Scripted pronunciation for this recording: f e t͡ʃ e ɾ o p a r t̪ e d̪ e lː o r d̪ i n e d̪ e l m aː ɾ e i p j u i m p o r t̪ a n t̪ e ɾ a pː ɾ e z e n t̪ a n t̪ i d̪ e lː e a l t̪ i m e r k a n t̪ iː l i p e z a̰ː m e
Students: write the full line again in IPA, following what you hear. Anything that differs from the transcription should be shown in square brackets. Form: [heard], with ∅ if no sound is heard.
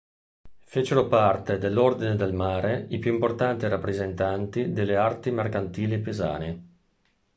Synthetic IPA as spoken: f e t͡ʃ e ɾ o p a r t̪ e d̪ e lː o r d̪ i n e d̪ e l m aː ɾ e i p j u i m p o r t̪ a n t̪ [i] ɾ a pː ɾ e z e n t̪ a n t̪ i d̪ e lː e a [r] t̪ i m e r k a n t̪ iː l i p e z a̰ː [n] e